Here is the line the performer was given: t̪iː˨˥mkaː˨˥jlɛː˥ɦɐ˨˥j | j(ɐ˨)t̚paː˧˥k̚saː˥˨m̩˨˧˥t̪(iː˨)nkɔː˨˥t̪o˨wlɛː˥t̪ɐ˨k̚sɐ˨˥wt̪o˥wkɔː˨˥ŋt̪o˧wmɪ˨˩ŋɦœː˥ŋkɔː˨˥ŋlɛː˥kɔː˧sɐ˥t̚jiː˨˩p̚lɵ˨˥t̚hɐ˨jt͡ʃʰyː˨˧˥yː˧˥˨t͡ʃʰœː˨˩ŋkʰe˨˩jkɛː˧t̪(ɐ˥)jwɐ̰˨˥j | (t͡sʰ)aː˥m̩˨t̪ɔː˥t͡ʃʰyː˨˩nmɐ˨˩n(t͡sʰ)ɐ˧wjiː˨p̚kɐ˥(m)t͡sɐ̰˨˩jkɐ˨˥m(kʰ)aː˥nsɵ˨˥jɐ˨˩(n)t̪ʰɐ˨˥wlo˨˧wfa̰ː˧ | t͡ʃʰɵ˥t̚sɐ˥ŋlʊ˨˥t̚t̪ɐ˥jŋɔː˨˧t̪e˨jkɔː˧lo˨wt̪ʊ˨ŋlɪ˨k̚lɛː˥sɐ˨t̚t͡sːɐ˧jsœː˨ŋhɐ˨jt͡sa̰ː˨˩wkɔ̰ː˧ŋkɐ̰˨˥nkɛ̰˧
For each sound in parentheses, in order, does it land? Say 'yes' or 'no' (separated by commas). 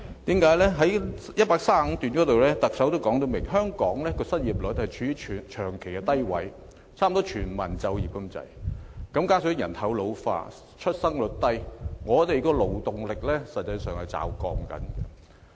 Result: no, no, yes, yes, no, yes, no, yes